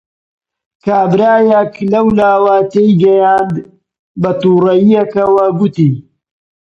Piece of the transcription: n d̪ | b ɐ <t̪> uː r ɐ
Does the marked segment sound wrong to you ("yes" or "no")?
no